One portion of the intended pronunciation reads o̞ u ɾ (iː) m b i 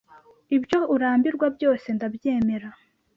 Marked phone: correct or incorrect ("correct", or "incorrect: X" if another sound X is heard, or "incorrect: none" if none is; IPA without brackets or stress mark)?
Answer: incorrect: aː